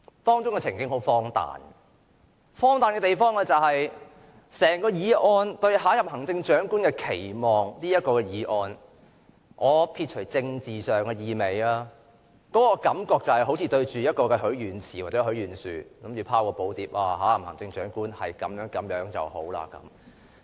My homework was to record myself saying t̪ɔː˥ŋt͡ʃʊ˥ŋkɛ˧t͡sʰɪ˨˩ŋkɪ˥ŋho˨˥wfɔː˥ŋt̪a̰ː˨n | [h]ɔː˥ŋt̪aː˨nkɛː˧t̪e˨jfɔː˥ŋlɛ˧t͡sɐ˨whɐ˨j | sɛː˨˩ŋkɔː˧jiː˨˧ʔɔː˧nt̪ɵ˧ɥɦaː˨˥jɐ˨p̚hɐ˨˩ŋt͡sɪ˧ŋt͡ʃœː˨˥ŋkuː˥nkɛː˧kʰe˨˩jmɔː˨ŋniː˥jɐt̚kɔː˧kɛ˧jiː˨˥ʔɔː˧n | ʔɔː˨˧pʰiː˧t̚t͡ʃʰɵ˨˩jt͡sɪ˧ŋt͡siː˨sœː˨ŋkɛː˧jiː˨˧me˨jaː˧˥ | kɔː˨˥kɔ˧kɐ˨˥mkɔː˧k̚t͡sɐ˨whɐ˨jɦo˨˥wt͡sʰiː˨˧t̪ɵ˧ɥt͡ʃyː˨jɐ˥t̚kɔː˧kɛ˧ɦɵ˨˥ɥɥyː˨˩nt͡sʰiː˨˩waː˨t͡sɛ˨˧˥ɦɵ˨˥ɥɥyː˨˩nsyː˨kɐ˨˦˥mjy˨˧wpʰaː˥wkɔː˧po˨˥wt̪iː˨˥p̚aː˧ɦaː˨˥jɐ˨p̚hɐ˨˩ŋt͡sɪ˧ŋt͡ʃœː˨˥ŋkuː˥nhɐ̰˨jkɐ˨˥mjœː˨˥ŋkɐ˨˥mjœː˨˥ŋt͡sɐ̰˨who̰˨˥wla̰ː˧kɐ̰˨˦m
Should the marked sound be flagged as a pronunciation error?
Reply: yes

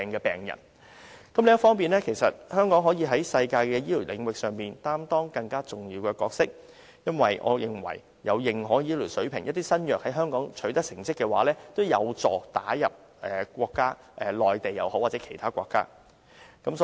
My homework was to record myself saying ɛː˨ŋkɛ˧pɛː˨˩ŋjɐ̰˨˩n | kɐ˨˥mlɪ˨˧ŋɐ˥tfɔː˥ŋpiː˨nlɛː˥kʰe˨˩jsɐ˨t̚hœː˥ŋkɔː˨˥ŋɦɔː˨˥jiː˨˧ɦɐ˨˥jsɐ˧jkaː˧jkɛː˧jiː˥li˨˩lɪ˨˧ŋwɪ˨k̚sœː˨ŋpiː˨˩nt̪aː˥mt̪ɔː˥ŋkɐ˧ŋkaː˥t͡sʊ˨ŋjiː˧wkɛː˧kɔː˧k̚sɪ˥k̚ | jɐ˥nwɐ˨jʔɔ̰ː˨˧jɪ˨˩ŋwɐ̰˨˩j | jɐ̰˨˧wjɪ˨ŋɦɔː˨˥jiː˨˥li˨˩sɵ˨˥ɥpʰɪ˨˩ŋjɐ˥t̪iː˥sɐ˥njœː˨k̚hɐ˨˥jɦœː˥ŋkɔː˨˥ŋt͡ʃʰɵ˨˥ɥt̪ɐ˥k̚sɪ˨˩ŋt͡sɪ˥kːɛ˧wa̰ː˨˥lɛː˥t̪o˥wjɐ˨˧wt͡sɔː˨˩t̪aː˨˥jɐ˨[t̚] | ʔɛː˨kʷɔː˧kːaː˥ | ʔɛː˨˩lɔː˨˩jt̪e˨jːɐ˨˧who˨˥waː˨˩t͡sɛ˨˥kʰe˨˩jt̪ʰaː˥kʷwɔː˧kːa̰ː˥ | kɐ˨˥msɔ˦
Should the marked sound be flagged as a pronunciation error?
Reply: yes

